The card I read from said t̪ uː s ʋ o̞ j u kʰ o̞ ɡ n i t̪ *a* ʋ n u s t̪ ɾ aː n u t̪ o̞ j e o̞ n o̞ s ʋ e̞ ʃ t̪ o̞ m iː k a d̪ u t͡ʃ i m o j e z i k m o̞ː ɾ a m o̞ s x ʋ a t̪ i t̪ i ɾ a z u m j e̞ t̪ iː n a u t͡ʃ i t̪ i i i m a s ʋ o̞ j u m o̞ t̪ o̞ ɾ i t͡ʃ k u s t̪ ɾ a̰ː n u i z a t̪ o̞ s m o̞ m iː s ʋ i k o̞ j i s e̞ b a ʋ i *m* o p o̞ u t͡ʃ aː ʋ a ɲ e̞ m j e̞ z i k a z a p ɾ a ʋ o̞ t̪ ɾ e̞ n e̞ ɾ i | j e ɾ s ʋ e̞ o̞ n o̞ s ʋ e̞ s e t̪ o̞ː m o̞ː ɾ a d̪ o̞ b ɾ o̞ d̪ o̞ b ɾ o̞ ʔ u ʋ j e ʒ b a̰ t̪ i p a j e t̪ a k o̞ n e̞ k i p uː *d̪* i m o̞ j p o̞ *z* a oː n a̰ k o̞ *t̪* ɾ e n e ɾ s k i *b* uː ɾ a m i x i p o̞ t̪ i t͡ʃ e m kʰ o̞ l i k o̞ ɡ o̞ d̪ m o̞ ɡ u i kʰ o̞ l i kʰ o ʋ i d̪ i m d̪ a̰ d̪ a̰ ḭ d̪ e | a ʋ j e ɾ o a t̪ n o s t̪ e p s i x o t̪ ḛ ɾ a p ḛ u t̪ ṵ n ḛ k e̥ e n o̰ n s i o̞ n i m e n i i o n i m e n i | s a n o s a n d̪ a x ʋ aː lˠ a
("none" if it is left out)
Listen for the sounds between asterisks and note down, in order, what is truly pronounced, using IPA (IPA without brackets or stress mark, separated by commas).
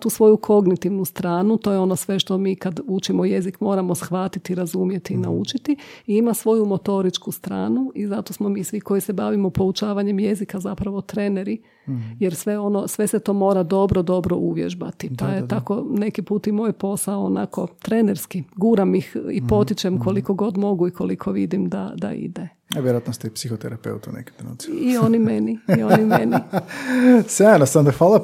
i, m, t̪, s, t̪, ɡ